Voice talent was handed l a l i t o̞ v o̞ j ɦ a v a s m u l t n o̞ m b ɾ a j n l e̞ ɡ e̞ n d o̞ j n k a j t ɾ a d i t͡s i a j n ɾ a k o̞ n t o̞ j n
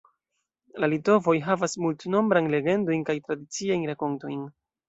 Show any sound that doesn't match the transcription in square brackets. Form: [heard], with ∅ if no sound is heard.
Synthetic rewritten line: l a l i t o̞ v o̞ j ɦ a v a s m u l t n o̞ m b ɾ a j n l e̞ ɡ e̞ n d o̞ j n k a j t ɾ a d i t͡s i a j n ɾ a k o̞ n t o̞ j n